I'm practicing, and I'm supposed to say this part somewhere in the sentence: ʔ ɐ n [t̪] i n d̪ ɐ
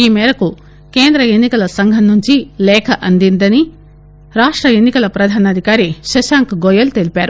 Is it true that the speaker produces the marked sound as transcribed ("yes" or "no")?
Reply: no